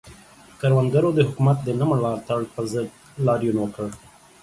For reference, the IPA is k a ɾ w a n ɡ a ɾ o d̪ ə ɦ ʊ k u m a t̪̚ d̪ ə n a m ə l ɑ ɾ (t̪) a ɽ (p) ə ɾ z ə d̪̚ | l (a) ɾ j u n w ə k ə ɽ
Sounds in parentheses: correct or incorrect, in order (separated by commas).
correct, correct, incorrect